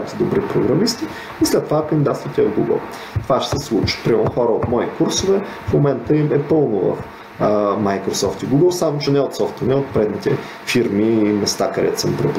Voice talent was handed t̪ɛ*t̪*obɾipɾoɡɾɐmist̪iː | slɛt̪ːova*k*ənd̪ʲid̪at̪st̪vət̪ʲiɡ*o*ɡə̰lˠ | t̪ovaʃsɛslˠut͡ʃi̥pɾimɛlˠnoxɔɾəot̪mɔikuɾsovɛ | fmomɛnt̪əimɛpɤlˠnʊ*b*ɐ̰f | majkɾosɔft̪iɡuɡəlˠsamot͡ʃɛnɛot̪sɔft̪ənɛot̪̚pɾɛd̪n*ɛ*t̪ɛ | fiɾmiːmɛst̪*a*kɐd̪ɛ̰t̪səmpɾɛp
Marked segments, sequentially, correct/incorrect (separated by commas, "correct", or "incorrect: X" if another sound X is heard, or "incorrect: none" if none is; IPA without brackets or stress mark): incorrect: d̪, correct, incorrect: u, incorrect: v, incorrect: i, correct